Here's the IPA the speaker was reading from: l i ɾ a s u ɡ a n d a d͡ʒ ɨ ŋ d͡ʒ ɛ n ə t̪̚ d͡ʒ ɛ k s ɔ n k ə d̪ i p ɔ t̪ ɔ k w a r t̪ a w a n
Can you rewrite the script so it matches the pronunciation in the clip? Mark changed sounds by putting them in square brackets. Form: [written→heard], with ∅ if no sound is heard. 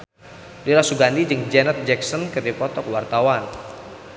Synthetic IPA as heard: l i ɾ a s u ɡ a n d [a→i] d͡ʒ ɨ ŋ d͡ʒ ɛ n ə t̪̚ d͡ʒ ɛ k s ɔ n k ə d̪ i p ɔ t̪ ɔ k w a r t̪ a w a n